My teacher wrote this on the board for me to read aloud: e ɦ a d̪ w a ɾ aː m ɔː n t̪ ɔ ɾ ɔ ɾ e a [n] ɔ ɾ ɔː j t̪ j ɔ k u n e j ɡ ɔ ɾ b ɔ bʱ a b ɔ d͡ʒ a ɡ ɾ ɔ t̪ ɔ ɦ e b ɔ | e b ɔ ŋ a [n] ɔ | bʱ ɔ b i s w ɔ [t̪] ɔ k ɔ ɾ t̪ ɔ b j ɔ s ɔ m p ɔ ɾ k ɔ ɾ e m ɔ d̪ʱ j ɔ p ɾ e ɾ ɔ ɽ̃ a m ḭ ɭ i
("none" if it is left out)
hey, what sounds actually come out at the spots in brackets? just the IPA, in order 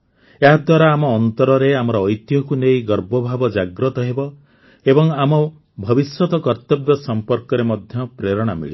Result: m, m, t̪

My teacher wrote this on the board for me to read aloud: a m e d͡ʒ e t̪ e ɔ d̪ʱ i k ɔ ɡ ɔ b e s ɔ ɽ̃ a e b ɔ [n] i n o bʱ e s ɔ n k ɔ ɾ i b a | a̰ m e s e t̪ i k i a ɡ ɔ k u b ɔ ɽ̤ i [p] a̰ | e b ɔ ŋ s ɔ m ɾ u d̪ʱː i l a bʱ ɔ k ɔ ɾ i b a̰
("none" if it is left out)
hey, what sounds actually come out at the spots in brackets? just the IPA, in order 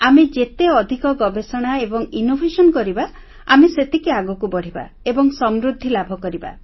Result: ŋ, b

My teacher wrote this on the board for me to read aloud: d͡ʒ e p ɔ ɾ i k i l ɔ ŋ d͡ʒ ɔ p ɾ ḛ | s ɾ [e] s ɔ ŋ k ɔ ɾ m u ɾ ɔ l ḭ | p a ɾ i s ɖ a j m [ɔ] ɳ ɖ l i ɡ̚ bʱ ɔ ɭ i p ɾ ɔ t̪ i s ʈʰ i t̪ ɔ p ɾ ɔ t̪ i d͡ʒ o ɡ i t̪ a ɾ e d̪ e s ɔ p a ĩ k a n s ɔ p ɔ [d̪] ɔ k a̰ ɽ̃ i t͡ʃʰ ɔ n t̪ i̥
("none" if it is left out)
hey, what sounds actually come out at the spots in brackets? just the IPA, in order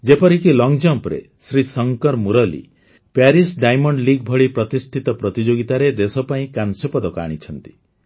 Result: i, ɔ, d̪

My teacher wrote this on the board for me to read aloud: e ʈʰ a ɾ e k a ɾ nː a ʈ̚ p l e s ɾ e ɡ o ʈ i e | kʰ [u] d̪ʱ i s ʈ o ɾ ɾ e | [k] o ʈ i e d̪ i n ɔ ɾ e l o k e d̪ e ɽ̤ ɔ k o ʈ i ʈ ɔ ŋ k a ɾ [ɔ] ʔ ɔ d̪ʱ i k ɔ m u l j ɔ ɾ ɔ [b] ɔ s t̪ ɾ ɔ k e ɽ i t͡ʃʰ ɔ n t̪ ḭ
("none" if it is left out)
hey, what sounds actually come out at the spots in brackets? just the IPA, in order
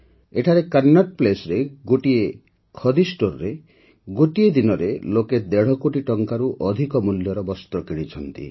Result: ɔ, ɡ, u, b

